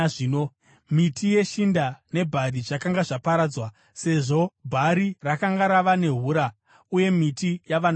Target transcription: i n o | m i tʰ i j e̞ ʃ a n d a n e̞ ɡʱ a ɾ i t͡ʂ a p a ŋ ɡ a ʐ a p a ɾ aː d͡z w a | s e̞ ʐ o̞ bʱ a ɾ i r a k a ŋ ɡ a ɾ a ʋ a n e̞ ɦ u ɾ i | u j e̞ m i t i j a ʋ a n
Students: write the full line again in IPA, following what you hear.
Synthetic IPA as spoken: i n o | m i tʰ i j e̞ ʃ i n d a n e̞ bʱ a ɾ i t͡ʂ a k a ŋ ɡ a ʐ a p a ɾ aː d͡z w a | s e̞ ʐ o̞ bʱ a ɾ i r a k a ŋ ɡ a ɾ a ʋ a n e̞ ɦ u ɾ a | u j e̞ m i t i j a ʋ a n